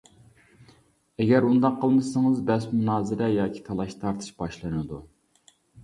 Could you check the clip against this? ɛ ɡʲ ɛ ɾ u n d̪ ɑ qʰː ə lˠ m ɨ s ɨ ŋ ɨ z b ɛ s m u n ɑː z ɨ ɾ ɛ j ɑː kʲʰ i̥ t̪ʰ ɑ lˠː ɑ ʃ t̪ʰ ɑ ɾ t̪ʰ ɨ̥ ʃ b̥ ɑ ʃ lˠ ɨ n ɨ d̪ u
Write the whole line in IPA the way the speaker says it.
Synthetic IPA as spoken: ɛ ɡʲ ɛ ɾ u n d̪ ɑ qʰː ə lˠ m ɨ s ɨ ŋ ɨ z b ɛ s m u n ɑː z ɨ ɾ ɛ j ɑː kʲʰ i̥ t̪ʰ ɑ lˠ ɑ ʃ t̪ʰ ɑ ɾ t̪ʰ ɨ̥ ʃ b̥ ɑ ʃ lˠ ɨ n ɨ d̪ u